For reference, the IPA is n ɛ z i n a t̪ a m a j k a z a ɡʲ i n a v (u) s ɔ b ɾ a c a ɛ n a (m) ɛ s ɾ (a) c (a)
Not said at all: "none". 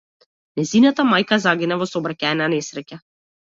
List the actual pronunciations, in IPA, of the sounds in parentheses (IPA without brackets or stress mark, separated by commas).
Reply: ɔ, n, ɛ, a